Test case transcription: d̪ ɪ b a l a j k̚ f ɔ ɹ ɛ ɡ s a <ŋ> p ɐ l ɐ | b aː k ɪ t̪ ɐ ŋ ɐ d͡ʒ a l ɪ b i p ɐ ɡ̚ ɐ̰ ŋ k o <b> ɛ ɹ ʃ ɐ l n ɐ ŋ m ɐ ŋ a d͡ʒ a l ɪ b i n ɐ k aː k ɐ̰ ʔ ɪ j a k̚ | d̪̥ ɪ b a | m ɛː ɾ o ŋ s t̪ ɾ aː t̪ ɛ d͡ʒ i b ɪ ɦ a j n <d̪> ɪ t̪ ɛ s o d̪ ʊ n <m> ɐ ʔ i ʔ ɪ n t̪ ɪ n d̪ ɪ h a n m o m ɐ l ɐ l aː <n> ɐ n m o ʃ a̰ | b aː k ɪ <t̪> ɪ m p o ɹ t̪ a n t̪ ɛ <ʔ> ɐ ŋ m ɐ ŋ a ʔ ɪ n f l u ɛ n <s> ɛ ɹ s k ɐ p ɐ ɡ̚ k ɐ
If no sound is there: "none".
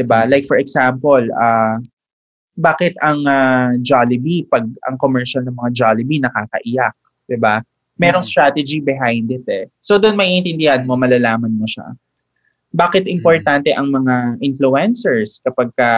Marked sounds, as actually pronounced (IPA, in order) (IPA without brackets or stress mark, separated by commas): m, m, d̪, m, m, t̪, ʔ, s